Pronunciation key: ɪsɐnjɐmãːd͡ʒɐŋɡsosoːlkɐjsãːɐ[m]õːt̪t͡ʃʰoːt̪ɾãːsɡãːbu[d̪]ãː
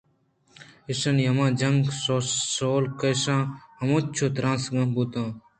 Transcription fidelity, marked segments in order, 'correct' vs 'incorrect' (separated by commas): correct, incorrect